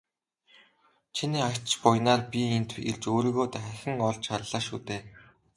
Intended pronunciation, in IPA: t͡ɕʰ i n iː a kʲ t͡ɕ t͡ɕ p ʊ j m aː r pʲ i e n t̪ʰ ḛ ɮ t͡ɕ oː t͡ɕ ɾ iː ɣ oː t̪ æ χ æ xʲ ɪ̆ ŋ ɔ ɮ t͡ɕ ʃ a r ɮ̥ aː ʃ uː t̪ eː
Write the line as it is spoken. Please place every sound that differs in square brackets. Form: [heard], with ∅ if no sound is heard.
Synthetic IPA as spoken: t͡ɕʰ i n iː a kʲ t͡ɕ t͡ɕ p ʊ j [n] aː r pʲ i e n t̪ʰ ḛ ɮ t͡ɕ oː [∅] ɾ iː ɣ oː t̪ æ χ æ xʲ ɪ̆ ŋ ɔ ɮ t͡ɕ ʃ a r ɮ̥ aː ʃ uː t̪ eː